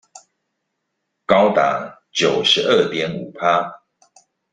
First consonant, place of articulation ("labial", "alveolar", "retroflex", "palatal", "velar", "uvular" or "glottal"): velar